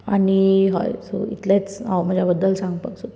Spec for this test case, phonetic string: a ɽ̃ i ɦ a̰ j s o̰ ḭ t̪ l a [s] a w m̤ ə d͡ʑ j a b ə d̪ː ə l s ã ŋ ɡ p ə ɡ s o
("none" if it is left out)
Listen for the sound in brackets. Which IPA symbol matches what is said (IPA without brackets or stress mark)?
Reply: t͡s